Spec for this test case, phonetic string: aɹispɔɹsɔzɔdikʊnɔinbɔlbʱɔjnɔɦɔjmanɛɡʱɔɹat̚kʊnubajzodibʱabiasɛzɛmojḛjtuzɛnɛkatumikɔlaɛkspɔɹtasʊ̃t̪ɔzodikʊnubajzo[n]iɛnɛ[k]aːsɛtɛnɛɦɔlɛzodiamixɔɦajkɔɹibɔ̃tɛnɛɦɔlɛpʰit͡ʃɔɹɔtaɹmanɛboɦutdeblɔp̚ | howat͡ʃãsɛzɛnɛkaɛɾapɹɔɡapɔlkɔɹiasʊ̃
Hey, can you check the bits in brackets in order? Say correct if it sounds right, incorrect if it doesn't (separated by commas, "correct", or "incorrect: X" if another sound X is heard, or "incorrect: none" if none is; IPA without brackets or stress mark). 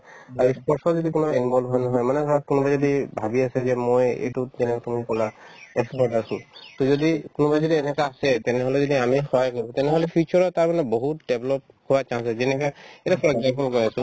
incorrect: d, correct